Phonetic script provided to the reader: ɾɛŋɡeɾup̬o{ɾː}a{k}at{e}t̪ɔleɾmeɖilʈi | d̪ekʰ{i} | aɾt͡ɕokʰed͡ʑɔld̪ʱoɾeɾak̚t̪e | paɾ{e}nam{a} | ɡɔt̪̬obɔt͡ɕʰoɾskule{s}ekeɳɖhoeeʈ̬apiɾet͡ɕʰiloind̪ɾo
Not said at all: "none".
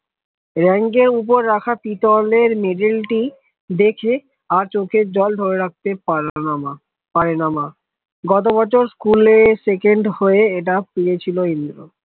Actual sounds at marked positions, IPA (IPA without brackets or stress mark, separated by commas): ɾː, kʰ, i, e, e, a, s